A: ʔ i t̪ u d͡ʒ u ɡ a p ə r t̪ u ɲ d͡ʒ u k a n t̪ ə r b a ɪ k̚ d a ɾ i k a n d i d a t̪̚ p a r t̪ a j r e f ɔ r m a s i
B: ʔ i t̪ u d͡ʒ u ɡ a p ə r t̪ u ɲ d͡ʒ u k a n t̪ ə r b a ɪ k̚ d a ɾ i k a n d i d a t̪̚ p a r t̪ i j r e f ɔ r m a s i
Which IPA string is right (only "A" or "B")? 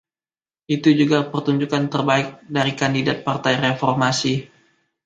A